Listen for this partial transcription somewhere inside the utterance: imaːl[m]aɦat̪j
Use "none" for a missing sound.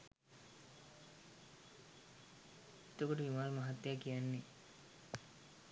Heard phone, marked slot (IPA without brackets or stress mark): m